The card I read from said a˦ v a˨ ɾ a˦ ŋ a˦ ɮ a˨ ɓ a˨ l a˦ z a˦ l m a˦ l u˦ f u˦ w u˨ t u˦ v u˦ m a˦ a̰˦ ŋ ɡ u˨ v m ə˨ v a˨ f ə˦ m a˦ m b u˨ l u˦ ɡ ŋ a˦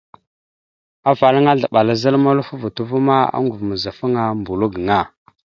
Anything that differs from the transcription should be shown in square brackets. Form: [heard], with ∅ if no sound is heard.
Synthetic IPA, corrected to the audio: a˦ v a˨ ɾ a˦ ŋ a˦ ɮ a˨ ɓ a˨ l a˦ z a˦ l m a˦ l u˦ f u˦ [v] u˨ t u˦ v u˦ m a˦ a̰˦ ŋ ɡ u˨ v m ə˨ [z] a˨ f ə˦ [ŋ] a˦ m b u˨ l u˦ ɡ ŋ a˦